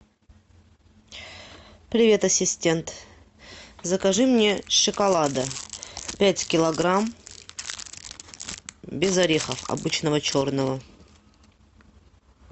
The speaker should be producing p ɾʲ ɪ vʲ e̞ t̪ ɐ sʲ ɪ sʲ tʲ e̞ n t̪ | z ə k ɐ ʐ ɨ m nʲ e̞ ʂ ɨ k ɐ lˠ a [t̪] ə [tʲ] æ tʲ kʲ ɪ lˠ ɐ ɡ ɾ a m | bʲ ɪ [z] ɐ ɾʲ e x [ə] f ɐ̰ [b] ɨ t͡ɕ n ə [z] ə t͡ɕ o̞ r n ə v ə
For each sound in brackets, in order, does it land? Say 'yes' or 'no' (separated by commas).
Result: no, no, yes, yes, yes, no